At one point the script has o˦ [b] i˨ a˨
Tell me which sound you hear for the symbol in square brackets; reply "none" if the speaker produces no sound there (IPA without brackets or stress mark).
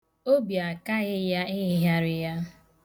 b